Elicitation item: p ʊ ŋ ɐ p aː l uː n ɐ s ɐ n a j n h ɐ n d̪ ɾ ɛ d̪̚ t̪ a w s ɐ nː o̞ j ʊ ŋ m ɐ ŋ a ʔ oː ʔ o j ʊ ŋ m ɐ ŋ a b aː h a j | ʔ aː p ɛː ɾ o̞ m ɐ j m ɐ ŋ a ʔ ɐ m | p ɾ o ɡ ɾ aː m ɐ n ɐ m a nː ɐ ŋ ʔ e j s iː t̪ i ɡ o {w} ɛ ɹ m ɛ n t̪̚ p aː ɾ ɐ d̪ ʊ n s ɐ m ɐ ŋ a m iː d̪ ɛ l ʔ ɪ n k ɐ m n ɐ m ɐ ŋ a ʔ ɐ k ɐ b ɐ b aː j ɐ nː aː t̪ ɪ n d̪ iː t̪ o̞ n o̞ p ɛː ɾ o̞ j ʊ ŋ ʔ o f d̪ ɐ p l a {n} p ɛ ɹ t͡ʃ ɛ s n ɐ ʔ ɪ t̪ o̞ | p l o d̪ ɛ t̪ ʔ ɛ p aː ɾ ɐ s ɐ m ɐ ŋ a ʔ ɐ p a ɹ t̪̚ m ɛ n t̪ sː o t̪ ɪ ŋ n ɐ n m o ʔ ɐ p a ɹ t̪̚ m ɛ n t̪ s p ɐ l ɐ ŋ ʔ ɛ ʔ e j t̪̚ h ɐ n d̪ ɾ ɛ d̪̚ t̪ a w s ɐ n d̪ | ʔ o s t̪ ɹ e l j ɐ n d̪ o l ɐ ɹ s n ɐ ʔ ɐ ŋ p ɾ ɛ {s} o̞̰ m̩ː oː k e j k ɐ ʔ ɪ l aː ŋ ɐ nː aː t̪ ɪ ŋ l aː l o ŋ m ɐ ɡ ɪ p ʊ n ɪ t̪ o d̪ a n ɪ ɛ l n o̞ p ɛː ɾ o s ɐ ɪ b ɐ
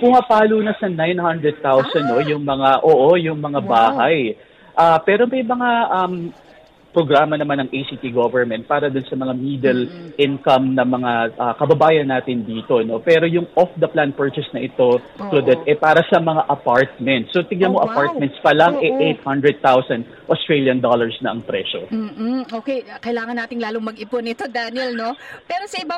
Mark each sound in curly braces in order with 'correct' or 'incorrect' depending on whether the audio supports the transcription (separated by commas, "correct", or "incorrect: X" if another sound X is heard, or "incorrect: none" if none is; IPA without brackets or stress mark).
incorrect: v, correct, incorrect: ʃ